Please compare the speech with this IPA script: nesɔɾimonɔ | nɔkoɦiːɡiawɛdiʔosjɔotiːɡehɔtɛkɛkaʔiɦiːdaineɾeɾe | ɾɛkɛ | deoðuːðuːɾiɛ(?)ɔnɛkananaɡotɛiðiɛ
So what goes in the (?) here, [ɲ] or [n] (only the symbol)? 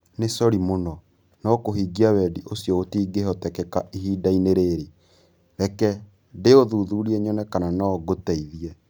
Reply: ɲ